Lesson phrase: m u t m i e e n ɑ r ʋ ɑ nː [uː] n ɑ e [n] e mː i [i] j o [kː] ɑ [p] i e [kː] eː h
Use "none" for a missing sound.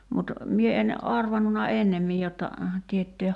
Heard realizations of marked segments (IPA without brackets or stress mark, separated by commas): u, nː, j, tː, t, tː